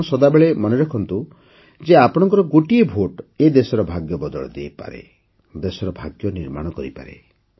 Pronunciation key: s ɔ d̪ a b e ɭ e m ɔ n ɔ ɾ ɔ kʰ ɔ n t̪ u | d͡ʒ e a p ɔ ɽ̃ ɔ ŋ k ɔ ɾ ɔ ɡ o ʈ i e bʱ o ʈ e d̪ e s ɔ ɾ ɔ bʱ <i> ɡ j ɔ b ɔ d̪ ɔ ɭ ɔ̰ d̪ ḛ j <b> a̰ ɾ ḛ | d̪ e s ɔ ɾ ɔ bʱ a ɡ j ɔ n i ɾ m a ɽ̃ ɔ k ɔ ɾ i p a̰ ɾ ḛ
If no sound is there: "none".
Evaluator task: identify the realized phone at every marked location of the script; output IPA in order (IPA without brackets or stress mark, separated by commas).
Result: a, p